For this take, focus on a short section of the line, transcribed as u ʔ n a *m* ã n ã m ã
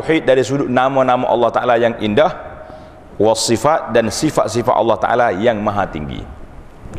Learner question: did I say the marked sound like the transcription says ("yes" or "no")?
yes